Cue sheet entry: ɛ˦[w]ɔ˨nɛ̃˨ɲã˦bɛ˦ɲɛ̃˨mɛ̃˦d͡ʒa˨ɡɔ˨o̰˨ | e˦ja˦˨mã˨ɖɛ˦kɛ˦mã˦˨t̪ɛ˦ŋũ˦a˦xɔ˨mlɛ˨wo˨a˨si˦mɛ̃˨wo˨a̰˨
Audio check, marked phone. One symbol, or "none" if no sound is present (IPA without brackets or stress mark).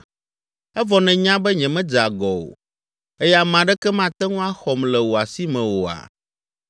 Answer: v